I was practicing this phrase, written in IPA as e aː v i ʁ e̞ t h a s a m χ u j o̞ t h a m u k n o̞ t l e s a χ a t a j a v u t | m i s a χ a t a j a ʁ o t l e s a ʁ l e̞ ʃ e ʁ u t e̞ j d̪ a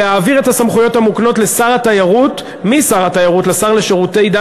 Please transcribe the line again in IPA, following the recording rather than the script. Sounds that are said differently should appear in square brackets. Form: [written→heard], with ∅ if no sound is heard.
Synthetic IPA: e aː v i ʁ e̞ t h a s a m χ u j o̞ t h a m u k n o̞ t l e s a [χ→ʁ] a t a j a [v→ʁ] u t | m i s a [χ→ʁ] a t a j a ʁ [o→u] t l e s a ʁ l e̞ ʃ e ʁ u t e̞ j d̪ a